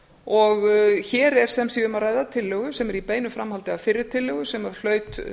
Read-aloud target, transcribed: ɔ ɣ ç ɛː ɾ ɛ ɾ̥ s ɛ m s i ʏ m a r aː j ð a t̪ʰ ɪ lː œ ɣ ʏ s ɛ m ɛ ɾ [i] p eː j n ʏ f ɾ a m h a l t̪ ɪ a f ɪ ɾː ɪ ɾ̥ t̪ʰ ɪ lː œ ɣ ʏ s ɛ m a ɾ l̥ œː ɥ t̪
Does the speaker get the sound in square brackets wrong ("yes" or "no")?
no